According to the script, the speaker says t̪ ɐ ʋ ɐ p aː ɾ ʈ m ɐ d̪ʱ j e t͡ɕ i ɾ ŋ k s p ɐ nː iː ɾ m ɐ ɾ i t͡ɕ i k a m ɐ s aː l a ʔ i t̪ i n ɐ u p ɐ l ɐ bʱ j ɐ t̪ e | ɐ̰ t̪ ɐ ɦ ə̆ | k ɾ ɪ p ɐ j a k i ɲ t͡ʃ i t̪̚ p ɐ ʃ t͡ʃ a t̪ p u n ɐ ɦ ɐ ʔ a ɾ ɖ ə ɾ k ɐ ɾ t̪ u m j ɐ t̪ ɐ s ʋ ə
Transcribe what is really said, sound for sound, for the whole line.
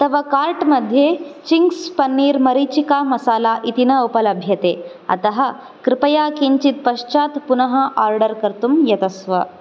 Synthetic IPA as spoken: t̪ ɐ ʋ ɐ k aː ɾ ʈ m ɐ d̪ʱ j e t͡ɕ i ŋ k s p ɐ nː iː ɾ m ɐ ɾ i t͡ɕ i k a m ɐ s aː l a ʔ i t̪ i n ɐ u p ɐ l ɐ bʱ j ɐ t̪ e | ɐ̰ t̪ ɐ ɦ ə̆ | k ɾ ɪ p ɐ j a k i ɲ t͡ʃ i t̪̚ p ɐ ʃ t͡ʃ a t̪ p u n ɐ ɦ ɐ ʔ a ɾ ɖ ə ɾ k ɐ ɾ t̪ u m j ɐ t̪ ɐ s ʋ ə